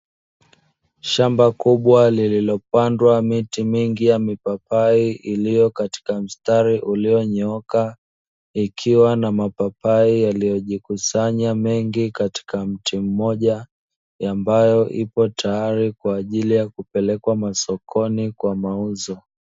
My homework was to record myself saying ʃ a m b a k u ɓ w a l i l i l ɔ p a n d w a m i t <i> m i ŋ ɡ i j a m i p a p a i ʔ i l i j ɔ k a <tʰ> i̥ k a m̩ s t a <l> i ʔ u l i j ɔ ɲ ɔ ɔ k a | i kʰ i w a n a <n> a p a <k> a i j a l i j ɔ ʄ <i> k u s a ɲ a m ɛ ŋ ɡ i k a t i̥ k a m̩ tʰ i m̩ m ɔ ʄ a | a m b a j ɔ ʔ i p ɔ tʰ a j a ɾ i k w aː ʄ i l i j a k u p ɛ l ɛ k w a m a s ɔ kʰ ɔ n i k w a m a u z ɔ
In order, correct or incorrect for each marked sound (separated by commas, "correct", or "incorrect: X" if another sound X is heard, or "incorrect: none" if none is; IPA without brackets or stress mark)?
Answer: correct, incorrect: t, incorrect: ɾ, incorrect: m, incorrect: p, correct